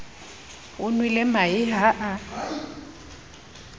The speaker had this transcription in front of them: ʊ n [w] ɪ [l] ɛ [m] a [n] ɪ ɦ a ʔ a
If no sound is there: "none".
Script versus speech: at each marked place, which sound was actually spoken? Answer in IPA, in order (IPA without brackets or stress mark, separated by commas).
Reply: w, l, m, none